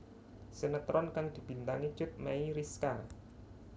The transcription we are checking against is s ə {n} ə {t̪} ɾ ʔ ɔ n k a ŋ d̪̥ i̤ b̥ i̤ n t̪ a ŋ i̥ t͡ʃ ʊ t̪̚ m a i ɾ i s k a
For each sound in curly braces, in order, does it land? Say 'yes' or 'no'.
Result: yes, yes

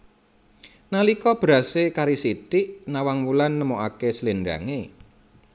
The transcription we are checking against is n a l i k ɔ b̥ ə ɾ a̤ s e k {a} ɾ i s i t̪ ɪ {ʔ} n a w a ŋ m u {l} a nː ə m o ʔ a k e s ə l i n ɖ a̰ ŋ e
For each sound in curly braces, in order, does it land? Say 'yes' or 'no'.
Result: yes, yes, yes

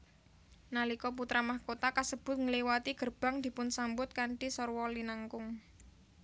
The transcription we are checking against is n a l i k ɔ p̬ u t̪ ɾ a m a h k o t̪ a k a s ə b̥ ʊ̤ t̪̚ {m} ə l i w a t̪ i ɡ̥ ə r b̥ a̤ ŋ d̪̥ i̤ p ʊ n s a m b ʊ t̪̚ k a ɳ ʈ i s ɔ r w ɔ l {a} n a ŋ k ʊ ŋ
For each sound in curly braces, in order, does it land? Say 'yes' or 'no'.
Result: no, no

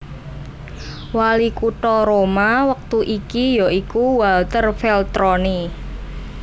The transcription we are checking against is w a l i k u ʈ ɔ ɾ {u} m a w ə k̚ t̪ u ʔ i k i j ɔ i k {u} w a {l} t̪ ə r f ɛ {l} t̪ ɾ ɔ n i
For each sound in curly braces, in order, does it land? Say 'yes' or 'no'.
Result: no, yes, yes, yes

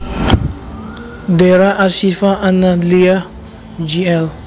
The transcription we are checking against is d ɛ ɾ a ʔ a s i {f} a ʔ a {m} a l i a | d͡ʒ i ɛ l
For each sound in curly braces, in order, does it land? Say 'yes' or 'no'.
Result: yes, no

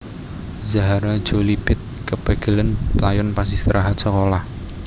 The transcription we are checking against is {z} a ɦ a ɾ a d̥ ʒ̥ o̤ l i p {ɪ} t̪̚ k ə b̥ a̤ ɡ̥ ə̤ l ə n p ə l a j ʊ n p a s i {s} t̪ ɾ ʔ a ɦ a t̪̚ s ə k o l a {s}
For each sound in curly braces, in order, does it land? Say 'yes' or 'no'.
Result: yes, yes, yes, no

